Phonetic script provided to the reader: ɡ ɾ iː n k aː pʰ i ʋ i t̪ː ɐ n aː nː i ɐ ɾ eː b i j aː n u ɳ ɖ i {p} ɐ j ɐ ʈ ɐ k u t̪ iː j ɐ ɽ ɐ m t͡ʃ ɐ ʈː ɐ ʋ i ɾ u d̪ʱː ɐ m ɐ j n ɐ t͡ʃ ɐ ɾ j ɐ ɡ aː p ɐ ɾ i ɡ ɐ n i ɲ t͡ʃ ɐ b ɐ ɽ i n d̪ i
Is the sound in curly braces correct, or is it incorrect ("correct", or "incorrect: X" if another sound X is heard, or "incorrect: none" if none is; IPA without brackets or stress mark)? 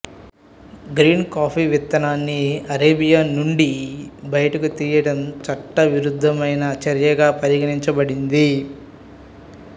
incorrect: b